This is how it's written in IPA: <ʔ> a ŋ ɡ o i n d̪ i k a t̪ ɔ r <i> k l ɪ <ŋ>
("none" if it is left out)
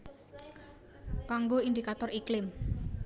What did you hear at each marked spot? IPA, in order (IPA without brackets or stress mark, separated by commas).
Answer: k, i, m